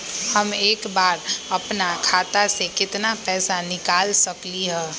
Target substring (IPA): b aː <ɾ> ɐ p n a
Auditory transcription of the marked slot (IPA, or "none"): ɾ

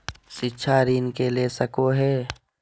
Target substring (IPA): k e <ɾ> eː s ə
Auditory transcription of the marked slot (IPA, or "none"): l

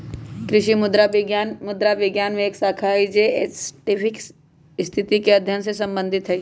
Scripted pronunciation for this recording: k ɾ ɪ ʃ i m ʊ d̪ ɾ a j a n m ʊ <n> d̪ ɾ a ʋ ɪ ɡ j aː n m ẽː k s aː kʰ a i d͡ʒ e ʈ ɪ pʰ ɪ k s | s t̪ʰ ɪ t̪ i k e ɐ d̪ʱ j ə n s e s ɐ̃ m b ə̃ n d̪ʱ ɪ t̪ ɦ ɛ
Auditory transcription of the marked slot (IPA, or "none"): none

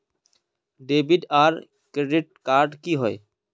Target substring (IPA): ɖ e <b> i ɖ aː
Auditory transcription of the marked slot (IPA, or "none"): b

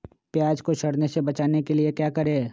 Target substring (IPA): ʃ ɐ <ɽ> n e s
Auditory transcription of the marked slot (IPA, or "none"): ɽ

